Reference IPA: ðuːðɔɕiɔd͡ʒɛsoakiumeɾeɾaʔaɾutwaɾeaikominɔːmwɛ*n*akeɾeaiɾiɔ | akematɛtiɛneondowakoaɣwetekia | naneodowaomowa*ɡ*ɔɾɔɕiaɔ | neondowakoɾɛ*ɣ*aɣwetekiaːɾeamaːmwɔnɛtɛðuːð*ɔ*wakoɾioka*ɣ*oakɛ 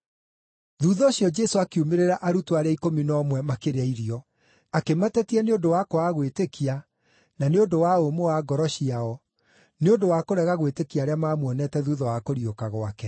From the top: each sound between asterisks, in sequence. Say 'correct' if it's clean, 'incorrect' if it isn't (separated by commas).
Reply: incorrect, correct, correct, correct, correct